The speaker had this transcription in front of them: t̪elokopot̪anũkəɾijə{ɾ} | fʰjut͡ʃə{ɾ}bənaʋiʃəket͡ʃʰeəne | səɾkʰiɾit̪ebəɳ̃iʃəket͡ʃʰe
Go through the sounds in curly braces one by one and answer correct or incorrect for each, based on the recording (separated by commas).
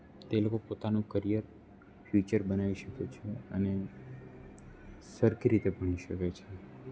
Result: correct, correct